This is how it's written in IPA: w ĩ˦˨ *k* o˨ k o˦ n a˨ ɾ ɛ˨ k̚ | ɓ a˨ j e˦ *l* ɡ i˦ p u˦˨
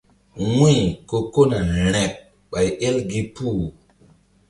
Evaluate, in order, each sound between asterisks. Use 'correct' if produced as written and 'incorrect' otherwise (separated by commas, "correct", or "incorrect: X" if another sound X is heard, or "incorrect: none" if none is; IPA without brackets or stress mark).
correct, correct